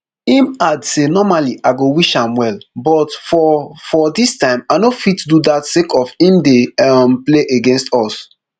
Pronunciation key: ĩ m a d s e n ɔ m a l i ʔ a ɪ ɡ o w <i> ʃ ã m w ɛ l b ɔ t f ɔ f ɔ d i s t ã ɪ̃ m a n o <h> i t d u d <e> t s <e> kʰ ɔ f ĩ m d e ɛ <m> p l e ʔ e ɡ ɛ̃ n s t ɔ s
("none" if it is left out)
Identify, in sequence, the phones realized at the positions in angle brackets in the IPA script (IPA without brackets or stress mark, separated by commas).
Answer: i, f, a, e, m